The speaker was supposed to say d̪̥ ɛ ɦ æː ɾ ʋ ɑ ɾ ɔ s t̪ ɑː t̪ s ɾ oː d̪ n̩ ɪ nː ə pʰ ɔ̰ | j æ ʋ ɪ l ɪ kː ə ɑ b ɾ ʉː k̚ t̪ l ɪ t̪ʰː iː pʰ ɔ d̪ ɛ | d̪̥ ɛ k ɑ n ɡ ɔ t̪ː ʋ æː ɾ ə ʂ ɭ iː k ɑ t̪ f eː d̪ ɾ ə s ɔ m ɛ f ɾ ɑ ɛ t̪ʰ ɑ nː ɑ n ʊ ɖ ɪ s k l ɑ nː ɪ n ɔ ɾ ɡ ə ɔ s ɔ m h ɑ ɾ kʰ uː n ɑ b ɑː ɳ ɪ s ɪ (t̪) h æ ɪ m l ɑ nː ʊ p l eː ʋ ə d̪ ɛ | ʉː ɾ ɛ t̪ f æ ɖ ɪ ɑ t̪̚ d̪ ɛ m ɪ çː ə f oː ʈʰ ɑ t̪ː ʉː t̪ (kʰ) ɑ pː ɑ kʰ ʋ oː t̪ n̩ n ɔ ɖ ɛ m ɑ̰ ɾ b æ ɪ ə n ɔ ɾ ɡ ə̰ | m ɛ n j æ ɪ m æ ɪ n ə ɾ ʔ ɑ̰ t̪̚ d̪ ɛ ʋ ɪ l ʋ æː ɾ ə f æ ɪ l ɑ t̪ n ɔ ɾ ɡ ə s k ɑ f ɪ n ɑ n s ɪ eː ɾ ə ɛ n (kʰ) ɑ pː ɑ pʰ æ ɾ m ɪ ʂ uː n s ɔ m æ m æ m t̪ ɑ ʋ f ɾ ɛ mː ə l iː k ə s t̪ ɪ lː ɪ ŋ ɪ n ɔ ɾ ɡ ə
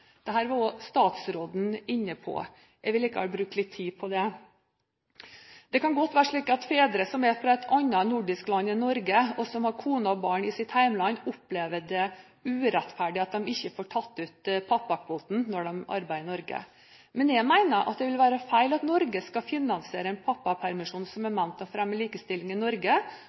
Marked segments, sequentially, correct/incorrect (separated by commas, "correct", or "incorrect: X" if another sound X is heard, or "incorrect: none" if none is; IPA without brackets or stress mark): correct, incorrect: pʰ, incorrect: pʰ